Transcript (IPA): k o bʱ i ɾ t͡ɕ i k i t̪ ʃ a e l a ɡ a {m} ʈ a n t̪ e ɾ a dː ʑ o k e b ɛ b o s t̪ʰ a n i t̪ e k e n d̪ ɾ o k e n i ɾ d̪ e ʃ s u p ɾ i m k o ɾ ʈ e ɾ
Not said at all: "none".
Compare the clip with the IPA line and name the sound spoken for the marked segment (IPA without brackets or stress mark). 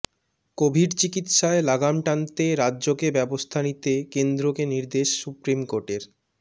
m